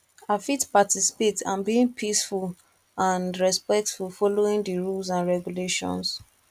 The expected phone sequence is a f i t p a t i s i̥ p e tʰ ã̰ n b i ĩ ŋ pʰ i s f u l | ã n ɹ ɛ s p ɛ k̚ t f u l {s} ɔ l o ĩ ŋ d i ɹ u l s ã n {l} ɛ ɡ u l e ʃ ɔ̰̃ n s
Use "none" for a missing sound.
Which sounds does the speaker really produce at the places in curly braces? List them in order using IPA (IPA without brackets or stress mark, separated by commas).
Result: f, ɹ